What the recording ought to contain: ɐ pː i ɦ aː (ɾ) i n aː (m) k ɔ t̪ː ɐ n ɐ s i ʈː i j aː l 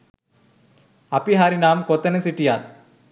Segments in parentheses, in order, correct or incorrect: correct, correct

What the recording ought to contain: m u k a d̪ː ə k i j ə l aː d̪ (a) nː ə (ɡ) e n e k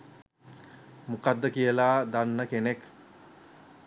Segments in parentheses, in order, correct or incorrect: correct, incorrect: k

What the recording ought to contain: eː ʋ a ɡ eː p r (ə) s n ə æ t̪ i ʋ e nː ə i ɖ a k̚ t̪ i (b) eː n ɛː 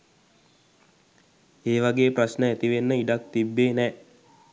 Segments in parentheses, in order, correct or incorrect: incorrect: a, incorrect: bː

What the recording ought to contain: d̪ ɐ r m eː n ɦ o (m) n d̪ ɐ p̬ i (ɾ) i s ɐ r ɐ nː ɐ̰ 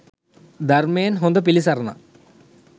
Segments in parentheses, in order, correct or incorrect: incorrect: none, incorrect: l

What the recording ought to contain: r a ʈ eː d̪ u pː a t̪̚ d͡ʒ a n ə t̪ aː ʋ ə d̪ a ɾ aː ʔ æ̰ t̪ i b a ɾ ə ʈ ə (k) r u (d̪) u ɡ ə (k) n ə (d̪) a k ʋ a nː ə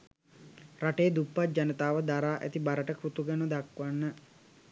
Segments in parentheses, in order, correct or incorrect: correct, incorrect: t̪, incorrect: none, correct

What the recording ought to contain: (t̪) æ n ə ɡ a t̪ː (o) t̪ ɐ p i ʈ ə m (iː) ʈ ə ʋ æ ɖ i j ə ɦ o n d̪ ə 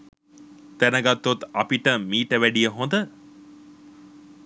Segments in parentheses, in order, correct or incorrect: correct, correct, correct

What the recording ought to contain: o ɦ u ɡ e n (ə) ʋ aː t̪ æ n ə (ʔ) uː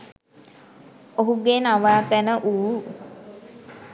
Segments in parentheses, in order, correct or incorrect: incorrect: a, correct

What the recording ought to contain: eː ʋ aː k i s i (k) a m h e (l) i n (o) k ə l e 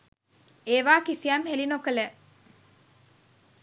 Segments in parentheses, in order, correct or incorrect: incorrect: none, correct, correct

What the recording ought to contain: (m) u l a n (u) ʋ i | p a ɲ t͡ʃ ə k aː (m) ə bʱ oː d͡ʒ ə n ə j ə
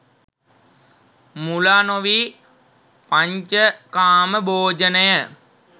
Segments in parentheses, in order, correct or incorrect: correct, incorrect: o, correct

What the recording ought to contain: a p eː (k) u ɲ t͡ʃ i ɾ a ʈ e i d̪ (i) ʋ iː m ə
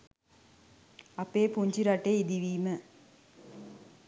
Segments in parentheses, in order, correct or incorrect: incorrect: p, correct

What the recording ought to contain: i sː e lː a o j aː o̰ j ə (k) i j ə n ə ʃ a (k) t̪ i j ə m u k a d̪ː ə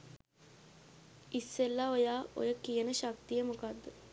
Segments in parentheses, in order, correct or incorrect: correct, correct

